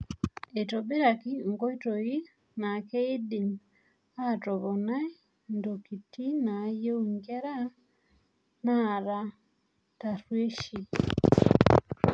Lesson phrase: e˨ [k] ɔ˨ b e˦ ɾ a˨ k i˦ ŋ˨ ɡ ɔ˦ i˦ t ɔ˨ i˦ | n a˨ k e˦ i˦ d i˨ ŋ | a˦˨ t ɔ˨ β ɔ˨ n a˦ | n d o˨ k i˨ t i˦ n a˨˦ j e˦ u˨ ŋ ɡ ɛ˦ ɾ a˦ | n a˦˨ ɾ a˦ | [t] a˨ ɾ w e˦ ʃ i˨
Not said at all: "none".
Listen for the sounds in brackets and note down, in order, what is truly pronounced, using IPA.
t, t

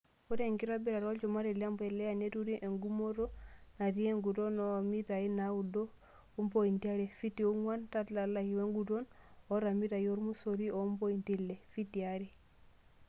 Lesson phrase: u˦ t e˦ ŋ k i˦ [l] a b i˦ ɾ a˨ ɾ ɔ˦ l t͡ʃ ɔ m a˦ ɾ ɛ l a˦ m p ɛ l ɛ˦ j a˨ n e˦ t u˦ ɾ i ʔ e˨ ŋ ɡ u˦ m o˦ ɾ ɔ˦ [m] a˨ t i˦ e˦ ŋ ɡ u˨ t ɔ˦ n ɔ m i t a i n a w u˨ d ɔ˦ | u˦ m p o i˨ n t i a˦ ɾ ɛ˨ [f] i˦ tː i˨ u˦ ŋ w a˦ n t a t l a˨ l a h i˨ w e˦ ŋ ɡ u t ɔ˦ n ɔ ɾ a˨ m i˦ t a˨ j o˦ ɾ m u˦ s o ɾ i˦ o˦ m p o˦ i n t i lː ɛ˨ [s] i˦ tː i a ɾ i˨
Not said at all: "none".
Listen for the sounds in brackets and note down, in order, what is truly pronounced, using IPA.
ɾ, n, f, f

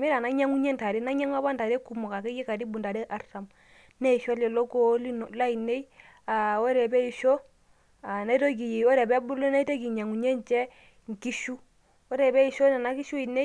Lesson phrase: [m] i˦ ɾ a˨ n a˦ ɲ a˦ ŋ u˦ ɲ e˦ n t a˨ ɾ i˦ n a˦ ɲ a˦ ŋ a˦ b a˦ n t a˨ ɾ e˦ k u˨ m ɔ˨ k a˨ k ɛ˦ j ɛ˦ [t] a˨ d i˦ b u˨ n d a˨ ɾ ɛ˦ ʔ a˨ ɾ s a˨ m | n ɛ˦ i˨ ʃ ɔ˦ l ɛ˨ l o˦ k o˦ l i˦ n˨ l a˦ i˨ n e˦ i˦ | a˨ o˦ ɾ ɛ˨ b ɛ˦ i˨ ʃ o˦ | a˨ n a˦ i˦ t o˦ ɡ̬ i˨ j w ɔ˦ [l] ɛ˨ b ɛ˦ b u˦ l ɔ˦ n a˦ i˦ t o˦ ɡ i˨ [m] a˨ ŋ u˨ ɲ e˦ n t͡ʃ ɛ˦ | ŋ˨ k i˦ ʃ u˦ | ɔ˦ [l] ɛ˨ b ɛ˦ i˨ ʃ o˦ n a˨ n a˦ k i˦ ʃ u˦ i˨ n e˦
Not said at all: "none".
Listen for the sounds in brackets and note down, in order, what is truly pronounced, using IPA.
m, k, ɾ, ɲ, ɾ

